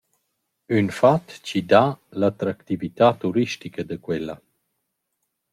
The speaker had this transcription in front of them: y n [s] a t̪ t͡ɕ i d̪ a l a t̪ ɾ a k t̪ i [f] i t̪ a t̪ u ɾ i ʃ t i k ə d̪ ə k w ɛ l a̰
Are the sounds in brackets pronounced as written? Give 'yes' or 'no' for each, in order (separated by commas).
no, no